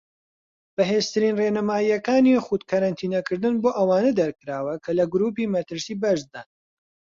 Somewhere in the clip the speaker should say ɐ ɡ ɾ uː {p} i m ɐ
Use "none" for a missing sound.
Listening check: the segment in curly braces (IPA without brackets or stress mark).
p